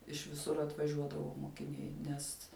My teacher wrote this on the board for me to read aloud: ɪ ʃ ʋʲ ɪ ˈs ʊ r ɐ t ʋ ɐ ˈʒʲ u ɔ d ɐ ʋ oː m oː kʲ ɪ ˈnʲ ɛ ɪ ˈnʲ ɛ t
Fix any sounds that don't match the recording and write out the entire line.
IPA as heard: ɪ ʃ ʋʲ ɪ ˈs ʊ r ɐ t ʋ ɐ ˈʒʲ u ɔ d ɐ ʋ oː m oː kʲ ɪ ˈnʲ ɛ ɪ ˈnʲ ɛ s